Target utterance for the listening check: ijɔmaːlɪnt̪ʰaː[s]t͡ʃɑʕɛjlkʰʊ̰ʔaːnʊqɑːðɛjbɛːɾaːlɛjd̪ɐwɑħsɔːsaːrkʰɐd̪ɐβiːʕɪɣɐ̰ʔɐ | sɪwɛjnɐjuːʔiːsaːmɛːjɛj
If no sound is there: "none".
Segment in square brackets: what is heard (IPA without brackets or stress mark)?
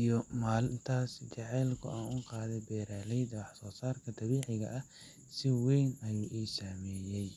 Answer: s